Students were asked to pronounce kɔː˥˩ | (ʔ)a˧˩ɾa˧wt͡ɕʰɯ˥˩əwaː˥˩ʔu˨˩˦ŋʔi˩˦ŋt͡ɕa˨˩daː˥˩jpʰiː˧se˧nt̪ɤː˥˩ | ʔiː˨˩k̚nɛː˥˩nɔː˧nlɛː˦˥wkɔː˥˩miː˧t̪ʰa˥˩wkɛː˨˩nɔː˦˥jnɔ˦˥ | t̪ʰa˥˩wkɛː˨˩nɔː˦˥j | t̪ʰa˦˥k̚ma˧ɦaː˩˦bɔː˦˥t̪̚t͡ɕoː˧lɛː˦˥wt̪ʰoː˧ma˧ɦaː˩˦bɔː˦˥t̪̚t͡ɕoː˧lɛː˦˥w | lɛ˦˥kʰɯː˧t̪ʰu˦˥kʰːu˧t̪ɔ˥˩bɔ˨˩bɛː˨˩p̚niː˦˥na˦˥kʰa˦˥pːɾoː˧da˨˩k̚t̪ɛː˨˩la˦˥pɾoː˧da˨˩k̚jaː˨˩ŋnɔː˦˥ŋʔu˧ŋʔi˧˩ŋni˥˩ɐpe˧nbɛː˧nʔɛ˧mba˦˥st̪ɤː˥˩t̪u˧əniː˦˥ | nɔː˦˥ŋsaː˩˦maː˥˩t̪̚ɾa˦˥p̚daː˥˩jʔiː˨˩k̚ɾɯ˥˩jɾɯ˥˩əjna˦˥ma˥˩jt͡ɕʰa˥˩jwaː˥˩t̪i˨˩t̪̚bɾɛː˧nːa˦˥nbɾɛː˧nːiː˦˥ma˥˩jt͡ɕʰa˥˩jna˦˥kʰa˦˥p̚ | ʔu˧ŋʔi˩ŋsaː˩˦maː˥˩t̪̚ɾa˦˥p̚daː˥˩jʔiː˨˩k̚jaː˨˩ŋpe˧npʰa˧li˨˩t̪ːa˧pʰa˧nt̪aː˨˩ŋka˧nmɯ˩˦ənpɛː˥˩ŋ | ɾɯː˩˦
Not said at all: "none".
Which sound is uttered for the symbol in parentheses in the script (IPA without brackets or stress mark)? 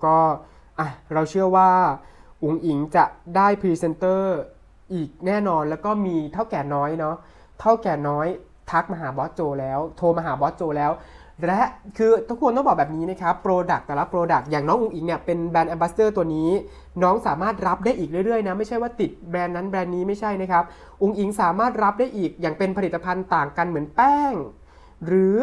ʔ